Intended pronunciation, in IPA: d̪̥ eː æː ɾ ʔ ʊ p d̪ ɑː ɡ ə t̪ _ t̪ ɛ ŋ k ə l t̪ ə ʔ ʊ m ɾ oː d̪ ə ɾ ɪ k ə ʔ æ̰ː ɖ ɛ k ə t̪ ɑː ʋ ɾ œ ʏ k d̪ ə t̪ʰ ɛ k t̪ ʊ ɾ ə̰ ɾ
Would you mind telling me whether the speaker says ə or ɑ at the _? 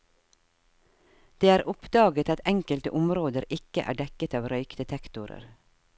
ɑ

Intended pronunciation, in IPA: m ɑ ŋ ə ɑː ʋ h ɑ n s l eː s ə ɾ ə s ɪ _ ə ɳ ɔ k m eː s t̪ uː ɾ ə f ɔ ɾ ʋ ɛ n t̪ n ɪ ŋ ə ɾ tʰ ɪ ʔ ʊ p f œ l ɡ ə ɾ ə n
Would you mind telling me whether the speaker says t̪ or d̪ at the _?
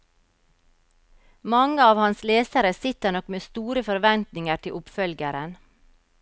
t̪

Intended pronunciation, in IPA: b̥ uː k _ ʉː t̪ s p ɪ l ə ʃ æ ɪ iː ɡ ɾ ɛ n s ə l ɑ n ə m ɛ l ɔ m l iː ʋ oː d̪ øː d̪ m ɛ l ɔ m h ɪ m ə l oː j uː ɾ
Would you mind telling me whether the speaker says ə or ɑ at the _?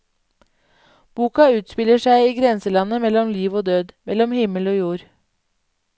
ɑ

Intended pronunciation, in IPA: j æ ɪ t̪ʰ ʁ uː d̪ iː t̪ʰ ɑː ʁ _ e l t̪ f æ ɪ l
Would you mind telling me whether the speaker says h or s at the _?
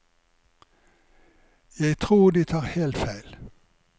h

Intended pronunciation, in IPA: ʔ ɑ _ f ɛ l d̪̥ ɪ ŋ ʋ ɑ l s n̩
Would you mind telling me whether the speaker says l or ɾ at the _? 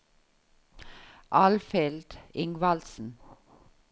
l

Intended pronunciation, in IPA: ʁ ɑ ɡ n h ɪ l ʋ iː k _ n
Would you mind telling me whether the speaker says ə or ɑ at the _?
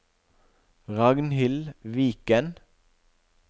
ə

